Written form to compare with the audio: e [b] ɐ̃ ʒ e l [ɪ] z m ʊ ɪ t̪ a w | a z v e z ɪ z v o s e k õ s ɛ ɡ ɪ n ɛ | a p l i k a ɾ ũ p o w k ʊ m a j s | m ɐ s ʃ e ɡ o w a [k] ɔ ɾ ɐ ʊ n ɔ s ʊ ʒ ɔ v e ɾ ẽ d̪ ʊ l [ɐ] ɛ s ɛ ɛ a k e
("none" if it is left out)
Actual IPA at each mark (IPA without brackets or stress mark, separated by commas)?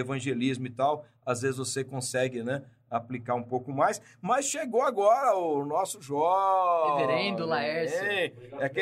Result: v, i, ɡ, a